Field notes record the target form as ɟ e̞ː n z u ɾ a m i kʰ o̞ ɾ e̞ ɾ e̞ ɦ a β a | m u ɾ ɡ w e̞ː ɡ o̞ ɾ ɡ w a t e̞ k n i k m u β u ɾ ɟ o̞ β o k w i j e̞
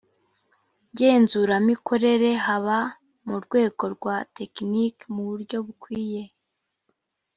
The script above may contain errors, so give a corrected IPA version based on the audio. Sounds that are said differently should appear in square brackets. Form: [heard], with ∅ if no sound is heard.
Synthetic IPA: ɟ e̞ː n z u ɾ a m i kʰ o̞ ɾ e̞ ɾ e̞ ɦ a β a | m u ɾ ɡ w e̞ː ɡ o̞ ɾ ɡ w a t e̞ k n i k m u β u ɾ ɟ o̞ β [u] k w [iː] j e̞